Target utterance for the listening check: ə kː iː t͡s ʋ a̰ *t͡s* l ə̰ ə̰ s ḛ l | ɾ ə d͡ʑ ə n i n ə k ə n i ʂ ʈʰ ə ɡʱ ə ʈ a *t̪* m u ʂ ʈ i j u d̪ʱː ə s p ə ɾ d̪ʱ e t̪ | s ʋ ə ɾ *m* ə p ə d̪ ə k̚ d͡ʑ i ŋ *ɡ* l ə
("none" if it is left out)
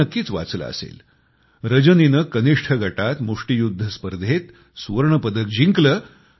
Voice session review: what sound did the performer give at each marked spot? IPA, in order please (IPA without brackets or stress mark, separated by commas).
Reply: t͡s, t̪, ɳ, k